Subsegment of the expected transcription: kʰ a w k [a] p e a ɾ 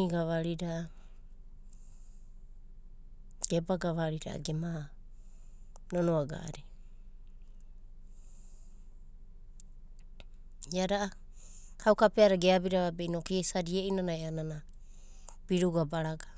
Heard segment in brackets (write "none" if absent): a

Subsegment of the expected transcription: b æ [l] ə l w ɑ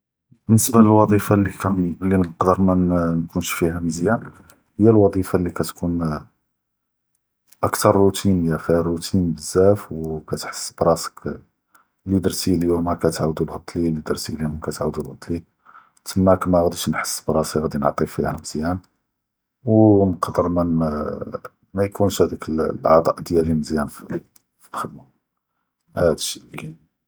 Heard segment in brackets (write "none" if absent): l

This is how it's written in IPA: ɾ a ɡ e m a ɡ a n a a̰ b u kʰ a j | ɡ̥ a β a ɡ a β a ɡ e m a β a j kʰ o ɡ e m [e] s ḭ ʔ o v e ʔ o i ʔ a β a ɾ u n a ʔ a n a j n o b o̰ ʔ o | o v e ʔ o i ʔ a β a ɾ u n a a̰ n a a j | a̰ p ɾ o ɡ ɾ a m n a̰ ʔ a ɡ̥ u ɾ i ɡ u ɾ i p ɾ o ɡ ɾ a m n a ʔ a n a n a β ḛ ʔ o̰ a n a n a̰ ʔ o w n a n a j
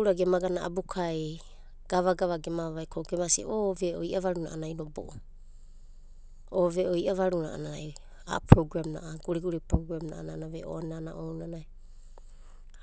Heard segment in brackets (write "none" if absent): a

